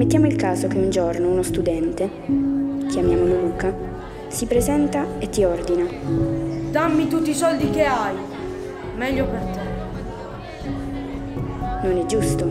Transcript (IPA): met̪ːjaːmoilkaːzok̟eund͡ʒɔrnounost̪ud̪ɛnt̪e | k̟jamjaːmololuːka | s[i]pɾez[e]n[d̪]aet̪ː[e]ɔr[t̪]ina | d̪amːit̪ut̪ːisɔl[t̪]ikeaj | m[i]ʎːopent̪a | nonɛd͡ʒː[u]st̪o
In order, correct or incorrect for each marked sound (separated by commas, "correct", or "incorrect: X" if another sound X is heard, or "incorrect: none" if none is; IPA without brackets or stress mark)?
correct, incorrect: ɛ, incorrect: t̪, incorrect: i, incorrect: d̪, incorrect: d̪, incorrect: ɛ, correct